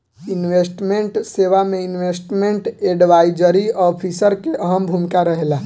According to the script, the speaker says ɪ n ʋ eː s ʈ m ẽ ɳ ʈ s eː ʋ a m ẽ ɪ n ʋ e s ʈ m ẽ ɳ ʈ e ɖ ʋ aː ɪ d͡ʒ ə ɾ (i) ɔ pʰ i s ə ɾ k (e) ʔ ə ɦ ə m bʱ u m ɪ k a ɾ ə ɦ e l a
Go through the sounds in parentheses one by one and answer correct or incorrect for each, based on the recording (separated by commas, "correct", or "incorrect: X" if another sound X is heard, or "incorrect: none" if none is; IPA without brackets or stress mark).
correct, correct